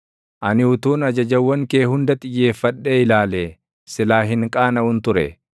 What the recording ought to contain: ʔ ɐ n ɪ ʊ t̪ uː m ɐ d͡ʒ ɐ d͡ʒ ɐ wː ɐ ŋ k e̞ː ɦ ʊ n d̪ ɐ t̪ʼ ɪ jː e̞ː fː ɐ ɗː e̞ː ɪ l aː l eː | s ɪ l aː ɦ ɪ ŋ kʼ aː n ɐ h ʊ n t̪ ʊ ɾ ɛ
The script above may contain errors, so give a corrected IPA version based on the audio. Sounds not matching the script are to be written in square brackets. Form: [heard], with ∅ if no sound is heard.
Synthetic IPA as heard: ʔ ɐ n ɪ ʊ t̪ uː [n] ɐ d͡ʒ ɐ d͡ʒ ɐ wː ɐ ŋ k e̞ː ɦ ʊ n d̪ ɐ t̪ʼ ɪ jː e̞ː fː ɐ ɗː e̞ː ɪ l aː l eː | s ɪ l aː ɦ ɪ ŋ kʼ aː n ɐ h ʊ n t̪ ʊ ɾ ɛ

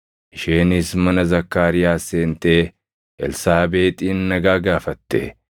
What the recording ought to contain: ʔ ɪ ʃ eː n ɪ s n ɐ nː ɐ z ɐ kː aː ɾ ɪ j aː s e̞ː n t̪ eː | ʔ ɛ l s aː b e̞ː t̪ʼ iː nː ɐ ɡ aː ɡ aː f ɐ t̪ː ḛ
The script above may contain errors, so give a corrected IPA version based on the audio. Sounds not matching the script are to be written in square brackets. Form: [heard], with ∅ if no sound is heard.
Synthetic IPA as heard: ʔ ɪ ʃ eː n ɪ s [m] ɐ [n] ɐ z ɐ kː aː ɾ ɪ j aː s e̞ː n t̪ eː | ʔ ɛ l s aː b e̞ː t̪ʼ iː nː ɐ ɡ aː ɡ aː f ɐ t̪ː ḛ

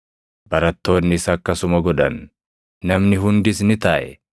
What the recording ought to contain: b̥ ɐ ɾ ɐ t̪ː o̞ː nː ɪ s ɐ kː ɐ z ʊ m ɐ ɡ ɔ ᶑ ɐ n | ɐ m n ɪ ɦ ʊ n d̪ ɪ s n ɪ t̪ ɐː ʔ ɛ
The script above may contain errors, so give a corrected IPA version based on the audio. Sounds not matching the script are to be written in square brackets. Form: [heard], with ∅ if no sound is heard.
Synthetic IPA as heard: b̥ ɐ ɾ ɐ t̪ː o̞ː nː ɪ s ɐ kː ɐ [s] ʊ m ɐ ɡ ɔ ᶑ ɐ [nː] | ɐ m n ɪ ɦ ʊ n d̪ ɪ s n ɪ t̪ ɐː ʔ ɛ

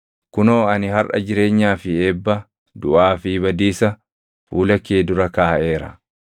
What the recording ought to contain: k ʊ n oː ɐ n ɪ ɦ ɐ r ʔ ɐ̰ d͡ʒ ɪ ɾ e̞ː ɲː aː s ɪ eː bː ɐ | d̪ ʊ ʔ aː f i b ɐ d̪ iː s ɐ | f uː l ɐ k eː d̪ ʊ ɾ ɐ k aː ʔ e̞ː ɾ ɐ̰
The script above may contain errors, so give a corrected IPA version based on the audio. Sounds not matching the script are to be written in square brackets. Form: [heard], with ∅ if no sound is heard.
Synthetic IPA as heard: k ʊ n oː ɐ n ɪ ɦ ɐ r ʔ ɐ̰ d͡ʒ ɪ ɾ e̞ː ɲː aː [f] ɪ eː bː ɐ | d̪ ʊ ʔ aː f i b ɐ d̪ iː s ɐ | f uː l ɐ k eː d̪ ʊ ɾ ɐ k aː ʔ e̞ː ɾ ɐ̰

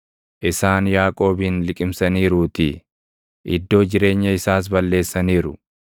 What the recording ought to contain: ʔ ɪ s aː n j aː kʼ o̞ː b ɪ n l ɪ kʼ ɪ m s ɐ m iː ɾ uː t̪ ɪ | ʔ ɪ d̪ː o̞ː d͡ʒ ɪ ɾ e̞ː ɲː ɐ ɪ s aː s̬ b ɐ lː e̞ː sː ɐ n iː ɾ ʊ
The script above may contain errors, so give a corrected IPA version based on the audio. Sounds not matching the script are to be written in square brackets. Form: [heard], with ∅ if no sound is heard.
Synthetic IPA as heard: ʔ ɪ s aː n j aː kʼ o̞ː b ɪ n l ɪ kʼ ɪ m s ɐ [n] iː ɾ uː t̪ ɪ | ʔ ɪ d̪ː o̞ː d͡ʒ ɪ ɾ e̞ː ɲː ɐ ɪ s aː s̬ b ɐ lː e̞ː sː ɐ n iː ɾ ʊ

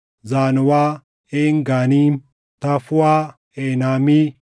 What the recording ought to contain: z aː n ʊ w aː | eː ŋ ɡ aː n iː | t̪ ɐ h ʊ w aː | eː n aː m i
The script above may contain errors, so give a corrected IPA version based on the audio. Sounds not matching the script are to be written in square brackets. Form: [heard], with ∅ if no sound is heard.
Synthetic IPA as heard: z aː n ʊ w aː | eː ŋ ɡ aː n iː | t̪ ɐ [f] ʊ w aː | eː n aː m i

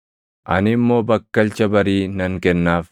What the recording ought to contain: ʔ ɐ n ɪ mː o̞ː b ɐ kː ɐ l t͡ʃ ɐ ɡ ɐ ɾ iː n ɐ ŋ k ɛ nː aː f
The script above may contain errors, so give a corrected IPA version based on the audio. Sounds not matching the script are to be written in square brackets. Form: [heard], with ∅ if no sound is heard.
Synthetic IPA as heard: ʔ ɐ n ɪ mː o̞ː b ɐ kː ɐ l t͡ʃ ɐ [b] ɐ ɾ iː n ɐ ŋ k ɛ nː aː f

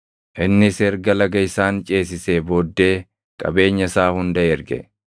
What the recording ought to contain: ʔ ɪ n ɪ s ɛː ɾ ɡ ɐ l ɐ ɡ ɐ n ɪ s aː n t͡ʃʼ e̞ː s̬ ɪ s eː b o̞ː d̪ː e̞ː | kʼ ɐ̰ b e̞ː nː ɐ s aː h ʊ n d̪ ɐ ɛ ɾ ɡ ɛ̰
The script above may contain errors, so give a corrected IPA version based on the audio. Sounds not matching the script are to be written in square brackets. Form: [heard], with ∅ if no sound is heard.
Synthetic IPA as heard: ʔ ɪ [nː] ɪ s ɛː ɾ ɡ ɐ l ɐ ɡ ɐ [∅] ɪ s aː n t͡ʃʼ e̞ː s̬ ɪ s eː b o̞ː d̪ː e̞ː | kʼ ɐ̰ b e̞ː [ɲː] ɐ s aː h ʊ n d̪ ɐ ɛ ɾ ɡ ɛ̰

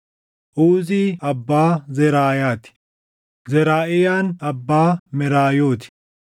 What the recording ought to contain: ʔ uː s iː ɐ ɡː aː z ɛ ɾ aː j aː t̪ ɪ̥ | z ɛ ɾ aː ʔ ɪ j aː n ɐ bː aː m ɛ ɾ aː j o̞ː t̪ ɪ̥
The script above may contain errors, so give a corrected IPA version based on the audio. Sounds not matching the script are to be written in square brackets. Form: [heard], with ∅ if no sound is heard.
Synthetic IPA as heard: ʔ uː [z] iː ɐ [bː] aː z ɛ ɾ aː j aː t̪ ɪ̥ | z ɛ ɾ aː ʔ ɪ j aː n ɐ bː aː m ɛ ɾ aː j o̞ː t̪ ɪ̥

